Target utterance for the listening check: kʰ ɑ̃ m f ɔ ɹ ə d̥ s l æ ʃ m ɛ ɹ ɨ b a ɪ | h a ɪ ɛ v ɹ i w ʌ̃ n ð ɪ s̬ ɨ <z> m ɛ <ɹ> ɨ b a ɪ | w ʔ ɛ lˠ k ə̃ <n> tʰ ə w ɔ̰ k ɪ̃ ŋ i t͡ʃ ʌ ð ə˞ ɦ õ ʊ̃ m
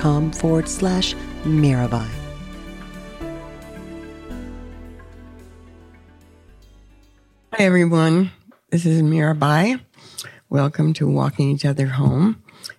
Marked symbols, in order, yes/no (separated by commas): yes, yes, no